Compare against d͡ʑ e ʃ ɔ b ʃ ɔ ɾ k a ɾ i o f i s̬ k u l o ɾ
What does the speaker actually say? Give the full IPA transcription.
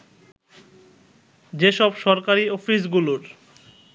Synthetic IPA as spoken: d͡ʑ e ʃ ɔ b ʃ ɔ ɾ k a ɾ i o f i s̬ ɡ u l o ɾ